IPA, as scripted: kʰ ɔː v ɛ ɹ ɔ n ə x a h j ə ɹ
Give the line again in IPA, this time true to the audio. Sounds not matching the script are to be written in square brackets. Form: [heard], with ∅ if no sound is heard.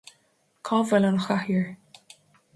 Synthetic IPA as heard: kʰ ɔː v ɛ [l] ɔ n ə x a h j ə ɹ